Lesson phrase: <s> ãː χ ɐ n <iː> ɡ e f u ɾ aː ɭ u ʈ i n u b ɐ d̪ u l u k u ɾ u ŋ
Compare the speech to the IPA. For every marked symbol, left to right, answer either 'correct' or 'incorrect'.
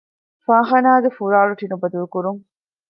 incorrect, incorrect

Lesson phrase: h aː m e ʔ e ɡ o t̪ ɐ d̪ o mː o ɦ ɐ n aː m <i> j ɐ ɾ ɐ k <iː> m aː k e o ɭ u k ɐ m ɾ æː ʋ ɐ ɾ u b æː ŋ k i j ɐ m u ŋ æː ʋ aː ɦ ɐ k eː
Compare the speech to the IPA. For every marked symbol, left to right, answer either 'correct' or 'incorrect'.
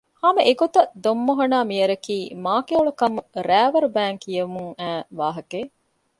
correct, correct

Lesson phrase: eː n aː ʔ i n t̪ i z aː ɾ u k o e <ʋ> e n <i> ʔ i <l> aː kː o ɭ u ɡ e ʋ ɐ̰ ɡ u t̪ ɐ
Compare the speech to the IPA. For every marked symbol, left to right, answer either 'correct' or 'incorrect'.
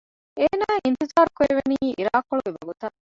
correct, incorrect, incorrect

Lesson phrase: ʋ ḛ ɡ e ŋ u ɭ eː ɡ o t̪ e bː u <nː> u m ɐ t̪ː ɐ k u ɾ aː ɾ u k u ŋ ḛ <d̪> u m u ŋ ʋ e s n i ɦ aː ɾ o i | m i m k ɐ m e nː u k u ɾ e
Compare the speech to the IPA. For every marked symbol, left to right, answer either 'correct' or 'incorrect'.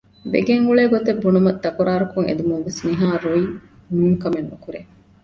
incorrect, correct

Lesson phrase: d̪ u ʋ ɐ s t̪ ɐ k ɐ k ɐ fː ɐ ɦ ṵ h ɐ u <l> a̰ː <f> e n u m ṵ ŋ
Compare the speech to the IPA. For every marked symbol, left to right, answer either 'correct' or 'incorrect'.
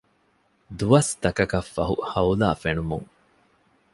correct, correct

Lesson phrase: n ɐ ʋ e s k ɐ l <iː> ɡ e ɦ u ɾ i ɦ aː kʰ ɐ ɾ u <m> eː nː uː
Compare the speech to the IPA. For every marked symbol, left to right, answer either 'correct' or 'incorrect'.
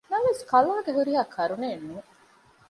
incorrect, incorrect

